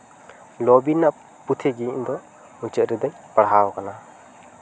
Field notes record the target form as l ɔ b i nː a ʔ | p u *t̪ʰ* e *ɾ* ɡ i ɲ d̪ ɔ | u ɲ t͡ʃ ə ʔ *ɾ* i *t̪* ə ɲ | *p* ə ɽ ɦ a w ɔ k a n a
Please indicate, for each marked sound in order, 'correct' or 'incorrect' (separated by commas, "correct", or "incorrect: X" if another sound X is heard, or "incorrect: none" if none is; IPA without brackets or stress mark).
correct, incorrect: none, correct, incorrect: d̪, correct